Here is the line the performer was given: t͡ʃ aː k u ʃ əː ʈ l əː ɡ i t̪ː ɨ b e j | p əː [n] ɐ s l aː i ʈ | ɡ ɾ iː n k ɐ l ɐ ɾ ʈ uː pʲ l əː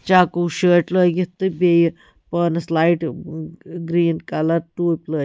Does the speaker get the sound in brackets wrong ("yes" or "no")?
no